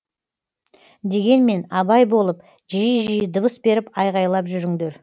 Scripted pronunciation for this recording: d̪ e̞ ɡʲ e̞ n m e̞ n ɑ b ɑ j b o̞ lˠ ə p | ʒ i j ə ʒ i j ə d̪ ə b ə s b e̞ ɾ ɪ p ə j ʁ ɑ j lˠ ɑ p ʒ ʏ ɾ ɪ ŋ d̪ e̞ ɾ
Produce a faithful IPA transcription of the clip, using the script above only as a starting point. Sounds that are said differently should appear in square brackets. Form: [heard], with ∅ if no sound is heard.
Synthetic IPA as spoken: d̪ e̞ ɡʲ e̞ n m e̞ n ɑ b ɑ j b o̞ lˠ ə p | ʒ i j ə ʒ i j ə d̪ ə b ə s b e̞ ɾ ɪ p [ɑ] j ʁ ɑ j lˠ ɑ p ʒ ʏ ɾ ɪ ŋ d̪ e̞ ɾ